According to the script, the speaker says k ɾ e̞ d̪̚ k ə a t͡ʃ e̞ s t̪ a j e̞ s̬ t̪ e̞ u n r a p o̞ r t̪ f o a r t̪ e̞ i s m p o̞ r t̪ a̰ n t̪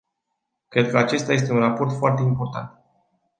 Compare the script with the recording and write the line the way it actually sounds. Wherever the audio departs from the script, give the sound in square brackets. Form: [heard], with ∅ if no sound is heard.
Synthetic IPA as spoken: k ɾ e̞ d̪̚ k ə a t͡ʃ e̞ s t̪ a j e̞ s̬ t̪ e̞ u n r a p o̞ r t̪ f o a r t̪ e̞ i [∅] m p o̞ r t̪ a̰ n t̪

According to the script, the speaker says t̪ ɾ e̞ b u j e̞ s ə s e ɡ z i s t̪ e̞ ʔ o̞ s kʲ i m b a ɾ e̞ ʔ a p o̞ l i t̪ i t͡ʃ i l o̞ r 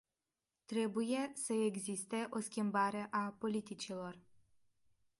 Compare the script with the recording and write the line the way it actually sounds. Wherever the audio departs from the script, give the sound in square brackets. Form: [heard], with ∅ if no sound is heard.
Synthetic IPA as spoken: t̪ ɾ e̞ b u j e̞ s ə [∅] e ɡ z i s t̪ e̞ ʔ o̞ s kʲ i m b a ɾ e̞ ʔ a p o̞ l i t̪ i t͡ʃ i l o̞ r

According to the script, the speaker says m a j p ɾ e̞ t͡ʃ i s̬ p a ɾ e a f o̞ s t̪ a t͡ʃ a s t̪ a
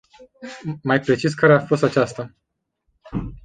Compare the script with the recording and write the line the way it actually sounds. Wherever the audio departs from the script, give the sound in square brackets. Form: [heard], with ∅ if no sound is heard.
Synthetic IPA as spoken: m a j p ɾ e̞ t͡ʃ i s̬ [k] a ɾ e a f o̞ s t̪ a t͡ʃ a s t̪ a

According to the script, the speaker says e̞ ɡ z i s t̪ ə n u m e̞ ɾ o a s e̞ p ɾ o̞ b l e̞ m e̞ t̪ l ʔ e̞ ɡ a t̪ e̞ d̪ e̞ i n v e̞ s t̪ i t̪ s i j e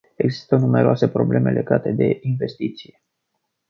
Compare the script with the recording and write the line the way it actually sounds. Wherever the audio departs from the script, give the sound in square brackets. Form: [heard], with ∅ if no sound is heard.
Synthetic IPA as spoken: e̞ ɡ z i s t̪ ə n u m e̞ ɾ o a s e̞ p ɾ o̞ b l e̞ m e̞ [∅] l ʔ e̞ ɡ a t̪ e̞ d̪ e̞ i n v e̞ s t̪ i t̪ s i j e

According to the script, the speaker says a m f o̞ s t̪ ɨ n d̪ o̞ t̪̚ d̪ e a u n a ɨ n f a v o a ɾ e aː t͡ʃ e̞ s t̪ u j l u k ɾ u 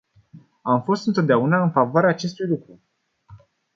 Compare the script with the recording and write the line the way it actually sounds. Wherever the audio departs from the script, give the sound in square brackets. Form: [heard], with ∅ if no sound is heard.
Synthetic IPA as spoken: a m f o̞ s t̪ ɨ n [t̪] o̞ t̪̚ d̪ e a u n a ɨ n f a v o a ɾ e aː t͡ʃ e̞ s t̪ u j l u k ɾ u

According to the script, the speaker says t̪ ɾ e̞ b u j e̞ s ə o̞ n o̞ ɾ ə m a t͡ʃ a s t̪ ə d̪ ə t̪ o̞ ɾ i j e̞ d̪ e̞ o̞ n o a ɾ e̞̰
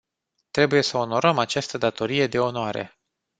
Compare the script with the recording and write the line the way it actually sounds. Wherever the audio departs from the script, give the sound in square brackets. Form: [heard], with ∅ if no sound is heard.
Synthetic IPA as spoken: t̪ ɾ e̞ b u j e̞ s ə o̞ n o̞ ɾ ə m a t͡ʃ a s t̪ ə d̪ [a] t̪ o̞ ɾ i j e̞ d̪ e̞ o̞ n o a ɾ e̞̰

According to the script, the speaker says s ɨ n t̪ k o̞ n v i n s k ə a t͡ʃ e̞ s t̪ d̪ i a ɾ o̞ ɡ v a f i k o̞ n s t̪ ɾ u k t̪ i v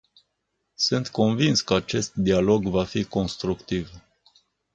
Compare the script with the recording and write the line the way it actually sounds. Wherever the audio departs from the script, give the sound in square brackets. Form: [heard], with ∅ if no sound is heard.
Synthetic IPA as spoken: s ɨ n t̪ k o̞ n v i n s k ə a t͡ʃ e̞ s t̪ d̪ i a [l] o̞ ɡ v a f i k o̞ n s t̪ ɾ u k t̪ i v

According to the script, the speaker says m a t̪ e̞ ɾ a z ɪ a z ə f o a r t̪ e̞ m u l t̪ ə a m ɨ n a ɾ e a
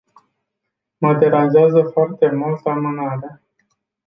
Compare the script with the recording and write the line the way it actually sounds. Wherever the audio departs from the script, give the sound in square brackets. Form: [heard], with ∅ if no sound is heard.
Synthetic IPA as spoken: m a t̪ e̞ ɾ a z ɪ a z ə f o a r t̪ e̞ m u l t̪ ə a m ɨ n a ɾ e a

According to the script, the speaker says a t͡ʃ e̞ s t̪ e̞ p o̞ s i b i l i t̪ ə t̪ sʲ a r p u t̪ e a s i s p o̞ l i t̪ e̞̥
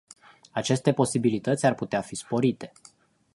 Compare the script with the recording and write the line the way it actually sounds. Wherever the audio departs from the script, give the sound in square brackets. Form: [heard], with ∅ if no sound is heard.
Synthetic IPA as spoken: a t͡ʃ e̞ s t̪ e̞ p o̞ s i b i l i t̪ ə t̪ sʲ a r p u t̪ e a [f] i s p o̞ [ɾ] i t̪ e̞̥

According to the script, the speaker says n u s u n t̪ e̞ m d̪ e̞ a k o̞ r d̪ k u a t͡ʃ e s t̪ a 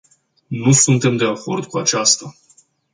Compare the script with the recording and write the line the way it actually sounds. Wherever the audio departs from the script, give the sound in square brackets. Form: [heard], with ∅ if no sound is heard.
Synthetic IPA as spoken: n u s u n t̪ e̞ m d̪ e̞ a k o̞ r d̪ k u a t͡ʃ [a] s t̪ a

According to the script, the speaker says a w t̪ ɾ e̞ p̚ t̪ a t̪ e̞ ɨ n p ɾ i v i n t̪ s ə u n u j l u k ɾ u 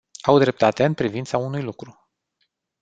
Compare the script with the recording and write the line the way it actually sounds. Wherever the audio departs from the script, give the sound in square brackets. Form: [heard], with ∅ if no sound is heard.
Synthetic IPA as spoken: a w [d̪] ɾ e̞ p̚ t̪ a t̪ e̞ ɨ n p ɾ i v i n t̪ s [a] u n u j l u k ɾ u

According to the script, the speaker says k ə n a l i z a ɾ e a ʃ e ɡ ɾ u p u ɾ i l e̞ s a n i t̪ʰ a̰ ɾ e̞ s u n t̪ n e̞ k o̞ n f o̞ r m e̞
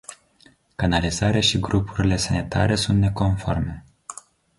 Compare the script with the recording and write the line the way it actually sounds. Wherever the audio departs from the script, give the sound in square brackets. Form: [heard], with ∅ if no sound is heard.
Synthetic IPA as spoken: k [a] n a l i z a ɾ e a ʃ [i] ɡ ɾ u p u ɾ i l e̞ s a n i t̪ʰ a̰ ɾ e̞ s u n t̪ n e̞ k o̞ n f o̞ r m e̞

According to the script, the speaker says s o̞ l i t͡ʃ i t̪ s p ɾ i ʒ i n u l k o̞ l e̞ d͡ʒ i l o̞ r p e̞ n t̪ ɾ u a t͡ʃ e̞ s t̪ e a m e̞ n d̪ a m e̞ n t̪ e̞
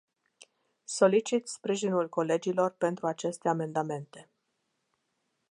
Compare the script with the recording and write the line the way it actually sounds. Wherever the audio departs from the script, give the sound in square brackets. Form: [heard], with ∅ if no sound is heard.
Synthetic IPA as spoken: s o̞ l i t͡ʃ i t̪ s p ɾ i ʒ i n u l k o̞ l e̞ d͡ʒ i l o̞ r p e̞ n t̪ ɾ u a t͡ʃ e̞ s t̪ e a m e̞ n d̪ a m e̞ n t̪ e̞

